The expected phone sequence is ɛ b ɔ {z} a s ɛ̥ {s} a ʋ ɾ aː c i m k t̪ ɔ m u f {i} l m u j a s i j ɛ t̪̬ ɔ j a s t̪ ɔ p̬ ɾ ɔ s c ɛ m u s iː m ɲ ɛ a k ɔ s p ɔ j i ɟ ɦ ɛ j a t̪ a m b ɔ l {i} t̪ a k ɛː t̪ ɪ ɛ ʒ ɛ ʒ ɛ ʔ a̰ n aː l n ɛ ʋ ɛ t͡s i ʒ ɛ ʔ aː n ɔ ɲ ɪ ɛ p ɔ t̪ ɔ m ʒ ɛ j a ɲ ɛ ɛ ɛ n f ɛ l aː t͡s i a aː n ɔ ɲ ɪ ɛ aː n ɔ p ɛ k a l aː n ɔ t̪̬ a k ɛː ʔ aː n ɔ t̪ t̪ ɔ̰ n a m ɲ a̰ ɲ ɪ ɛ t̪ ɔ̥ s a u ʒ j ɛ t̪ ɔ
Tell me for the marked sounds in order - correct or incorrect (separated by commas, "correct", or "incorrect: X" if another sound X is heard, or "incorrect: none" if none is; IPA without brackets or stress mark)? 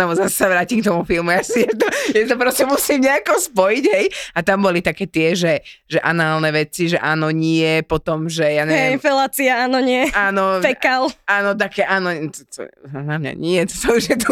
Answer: correct, correct, correct, correct